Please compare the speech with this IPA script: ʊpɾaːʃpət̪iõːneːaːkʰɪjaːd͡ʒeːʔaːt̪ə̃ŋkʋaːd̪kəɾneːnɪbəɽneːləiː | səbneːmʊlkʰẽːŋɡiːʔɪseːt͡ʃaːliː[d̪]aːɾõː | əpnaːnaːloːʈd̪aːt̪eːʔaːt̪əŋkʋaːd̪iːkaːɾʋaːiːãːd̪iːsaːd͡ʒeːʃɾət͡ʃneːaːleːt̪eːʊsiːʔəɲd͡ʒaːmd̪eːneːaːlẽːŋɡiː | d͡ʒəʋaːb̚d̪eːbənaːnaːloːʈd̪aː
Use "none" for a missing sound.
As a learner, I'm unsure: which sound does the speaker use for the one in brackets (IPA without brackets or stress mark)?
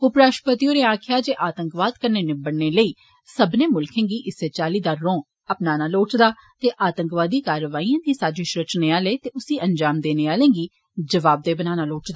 d̪